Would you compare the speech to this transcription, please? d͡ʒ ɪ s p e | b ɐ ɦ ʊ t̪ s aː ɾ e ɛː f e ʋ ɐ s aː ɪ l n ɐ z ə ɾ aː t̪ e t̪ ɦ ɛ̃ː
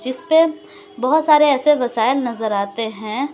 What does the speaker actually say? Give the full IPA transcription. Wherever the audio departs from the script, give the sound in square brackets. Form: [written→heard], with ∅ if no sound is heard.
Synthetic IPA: d͡ʒ ɪ s p e | b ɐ ɦ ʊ t̪ s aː ɾ e ɛː [f→s] e ʋ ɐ s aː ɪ l n ɐ z ə ɾ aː t̪ e [t̪→∅] ɦ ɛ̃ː